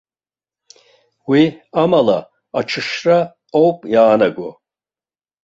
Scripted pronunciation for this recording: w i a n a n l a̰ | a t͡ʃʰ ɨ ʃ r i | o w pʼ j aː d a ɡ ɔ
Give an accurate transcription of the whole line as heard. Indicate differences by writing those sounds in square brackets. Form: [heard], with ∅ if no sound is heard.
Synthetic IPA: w i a [m] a [∅] l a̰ | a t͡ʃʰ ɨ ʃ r [a] | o w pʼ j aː [n] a ɡ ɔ